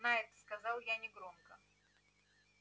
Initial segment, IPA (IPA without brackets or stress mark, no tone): n